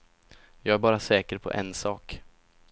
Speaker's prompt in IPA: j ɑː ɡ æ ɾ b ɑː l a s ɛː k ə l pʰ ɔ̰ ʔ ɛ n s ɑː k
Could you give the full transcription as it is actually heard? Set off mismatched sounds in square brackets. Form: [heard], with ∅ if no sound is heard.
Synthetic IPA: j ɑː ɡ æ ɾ b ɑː [ɾ] a s ɛː k ə [ɾ] pʰ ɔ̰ ʔ ɛ n s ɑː k